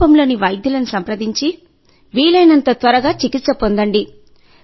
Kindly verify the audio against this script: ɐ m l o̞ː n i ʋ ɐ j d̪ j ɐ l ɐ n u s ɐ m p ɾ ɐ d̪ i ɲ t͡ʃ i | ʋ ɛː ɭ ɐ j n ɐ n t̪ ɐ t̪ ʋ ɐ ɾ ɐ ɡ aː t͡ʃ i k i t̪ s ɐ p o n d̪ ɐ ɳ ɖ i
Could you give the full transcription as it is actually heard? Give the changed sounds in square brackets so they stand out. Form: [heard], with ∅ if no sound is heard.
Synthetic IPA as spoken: ɐ m l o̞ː n i ʋ ɐ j d̪ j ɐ l ɐ n u s ɐ m p ɾ ɐ d̪ i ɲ t͡ʃ i | ʋ [iː] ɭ ɐ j n ɐ n t̪ ɐ t̪ ʋ ɐ ɾ ɐ ɡ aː t͡ʃ i k i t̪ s ɐ p o n d̪ ɐ ɳ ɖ i